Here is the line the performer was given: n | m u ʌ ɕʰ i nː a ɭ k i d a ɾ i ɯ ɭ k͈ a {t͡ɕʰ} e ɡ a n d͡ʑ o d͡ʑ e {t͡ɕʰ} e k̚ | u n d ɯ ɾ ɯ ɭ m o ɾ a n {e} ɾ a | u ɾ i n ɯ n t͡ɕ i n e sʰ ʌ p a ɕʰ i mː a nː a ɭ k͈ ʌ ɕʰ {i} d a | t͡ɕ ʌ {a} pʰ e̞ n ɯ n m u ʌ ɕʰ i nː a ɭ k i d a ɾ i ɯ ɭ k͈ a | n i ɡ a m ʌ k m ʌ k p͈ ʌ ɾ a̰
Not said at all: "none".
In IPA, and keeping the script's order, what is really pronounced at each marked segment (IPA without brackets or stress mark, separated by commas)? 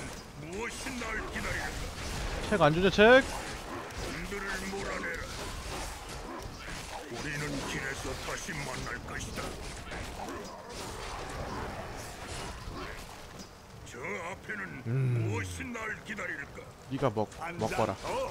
t͡ɕʰ, t͡ɕʰ, e, i, a